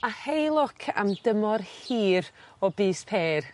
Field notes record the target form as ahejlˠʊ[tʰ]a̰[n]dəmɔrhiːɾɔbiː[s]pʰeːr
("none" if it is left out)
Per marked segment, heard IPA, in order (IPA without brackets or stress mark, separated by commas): kʰ, m, s